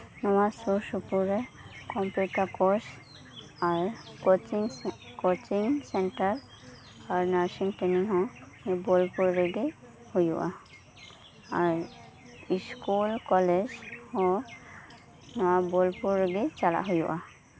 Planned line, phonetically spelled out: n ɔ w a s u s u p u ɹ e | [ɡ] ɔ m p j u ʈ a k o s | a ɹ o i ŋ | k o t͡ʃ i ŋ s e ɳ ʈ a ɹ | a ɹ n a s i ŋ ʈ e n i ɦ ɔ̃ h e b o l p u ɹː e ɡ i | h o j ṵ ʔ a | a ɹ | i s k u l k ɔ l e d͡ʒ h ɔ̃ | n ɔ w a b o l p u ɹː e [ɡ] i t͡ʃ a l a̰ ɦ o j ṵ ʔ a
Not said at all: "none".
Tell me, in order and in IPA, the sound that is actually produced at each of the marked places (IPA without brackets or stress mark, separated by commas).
k, ɡ